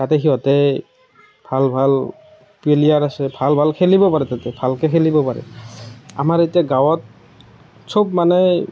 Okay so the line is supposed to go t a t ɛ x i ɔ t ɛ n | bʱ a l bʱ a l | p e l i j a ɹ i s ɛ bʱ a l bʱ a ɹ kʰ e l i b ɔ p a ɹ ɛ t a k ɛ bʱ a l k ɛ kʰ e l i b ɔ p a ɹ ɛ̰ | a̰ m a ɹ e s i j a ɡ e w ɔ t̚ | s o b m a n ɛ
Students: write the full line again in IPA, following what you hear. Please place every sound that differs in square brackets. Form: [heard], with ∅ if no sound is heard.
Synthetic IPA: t a t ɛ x i ɔ t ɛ [∅] | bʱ a l bʱ a l | p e l i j a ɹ [a] s ɛ bʱ a l bʱ a [l] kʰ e l i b ɔ p a ɹ ɛ t a [t] ɛ bʱ a l k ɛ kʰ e l i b ɔ p a ɹ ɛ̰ | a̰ m a ɹ e [t] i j a ɡ [a] w ɔ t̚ | s o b m a n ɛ